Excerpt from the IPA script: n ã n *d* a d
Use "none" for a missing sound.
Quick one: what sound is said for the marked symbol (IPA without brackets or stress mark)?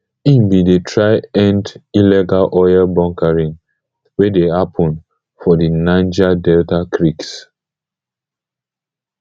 d͡ʒ